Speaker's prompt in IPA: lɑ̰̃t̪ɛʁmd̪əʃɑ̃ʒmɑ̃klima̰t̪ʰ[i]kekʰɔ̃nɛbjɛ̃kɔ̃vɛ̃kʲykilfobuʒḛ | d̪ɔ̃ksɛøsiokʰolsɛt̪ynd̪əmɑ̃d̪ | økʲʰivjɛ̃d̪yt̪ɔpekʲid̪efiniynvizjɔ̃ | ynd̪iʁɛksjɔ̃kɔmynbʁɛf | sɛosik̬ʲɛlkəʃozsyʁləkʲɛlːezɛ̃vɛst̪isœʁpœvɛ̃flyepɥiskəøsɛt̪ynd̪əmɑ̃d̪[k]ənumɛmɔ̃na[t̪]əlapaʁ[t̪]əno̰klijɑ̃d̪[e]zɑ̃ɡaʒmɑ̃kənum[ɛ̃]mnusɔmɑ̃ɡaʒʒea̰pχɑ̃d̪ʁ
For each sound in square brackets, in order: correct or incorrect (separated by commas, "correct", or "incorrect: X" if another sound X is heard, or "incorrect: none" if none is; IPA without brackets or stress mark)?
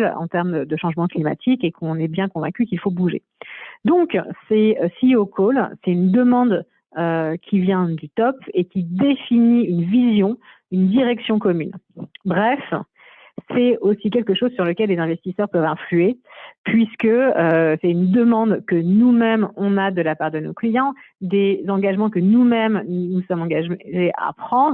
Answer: correct, correct, incorrect: d̪, incorrect: d̪, correct, incorrect: ɛ